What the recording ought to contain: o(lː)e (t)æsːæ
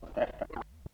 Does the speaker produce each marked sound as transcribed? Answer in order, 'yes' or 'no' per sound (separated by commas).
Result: no, yes